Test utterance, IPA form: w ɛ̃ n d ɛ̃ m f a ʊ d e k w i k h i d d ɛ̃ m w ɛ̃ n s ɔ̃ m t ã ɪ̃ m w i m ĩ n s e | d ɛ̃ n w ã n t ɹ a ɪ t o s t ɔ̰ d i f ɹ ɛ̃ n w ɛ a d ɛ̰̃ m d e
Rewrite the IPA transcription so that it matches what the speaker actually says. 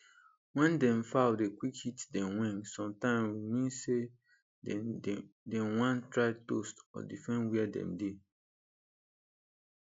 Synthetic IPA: w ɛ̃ n d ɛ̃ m f a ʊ d e k w i k h i t d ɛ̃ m w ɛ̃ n s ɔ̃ m t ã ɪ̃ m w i m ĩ n s e | d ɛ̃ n w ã n t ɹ a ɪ t o s t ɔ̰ d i f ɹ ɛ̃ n w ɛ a d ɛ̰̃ m d e